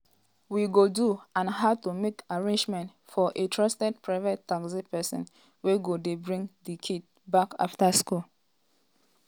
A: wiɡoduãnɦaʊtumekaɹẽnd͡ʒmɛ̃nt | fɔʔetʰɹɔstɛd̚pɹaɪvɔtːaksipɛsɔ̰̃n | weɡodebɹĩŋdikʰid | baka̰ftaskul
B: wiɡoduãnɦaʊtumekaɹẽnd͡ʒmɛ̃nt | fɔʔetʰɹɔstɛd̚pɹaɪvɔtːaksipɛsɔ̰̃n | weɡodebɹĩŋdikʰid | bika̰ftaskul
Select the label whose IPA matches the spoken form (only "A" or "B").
A